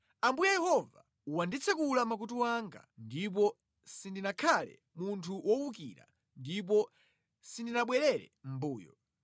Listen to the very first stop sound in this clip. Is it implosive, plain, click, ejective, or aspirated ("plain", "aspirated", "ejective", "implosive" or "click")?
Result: plain